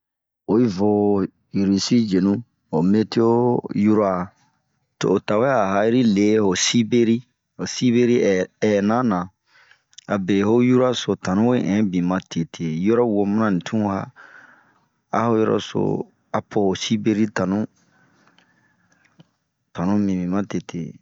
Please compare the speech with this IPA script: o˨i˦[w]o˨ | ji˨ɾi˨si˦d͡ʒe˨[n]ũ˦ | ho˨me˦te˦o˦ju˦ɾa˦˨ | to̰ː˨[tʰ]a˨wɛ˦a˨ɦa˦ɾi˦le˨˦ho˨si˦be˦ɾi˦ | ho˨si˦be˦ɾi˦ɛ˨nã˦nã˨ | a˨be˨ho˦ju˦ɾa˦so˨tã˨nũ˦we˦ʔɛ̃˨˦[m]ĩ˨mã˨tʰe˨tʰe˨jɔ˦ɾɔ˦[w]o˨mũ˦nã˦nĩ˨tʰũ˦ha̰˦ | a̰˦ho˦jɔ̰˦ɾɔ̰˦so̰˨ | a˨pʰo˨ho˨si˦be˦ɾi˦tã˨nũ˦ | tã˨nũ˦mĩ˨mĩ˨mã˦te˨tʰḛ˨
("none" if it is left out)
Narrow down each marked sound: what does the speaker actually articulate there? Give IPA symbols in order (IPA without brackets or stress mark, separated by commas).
v, n, t, b, w